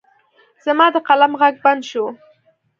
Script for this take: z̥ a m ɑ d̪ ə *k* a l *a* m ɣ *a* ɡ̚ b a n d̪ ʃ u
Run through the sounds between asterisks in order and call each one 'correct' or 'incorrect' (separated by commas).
incorrect, correct, correct